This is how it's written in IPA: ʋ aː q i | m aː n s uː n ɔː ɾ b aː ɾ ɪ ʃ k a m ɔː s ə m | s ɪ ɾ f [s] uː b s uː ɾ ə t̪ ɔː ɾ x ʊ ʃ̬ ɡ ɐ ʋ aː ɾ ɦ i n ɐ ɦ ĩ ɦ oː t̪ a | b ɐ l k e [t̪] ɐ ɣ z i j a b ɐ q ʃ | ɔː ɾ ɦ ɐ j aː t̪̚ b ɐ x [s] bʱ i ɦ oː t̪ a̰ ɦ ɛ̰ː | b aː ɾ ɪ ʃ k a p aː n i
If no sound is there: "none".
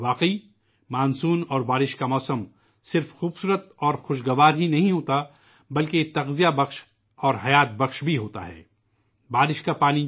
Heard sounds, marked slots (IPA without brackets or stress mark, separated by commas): x, t̪, ʃ